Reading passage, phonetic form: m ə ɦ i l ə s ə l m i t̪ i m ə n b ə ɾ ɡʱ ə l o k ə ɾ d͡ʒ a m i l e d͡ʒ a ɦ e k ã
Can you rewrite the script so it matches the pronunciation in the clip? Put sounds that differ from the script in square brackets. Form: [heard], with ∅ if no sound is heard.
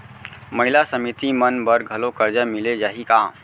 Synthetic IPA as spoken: m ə ɦ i l [a] s ə [∅] m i t̪ i m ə n b ə ɾ ɡʱ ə l o k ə ɾ d͡ʒ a m i l e d͡ʒ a ɦ [i] k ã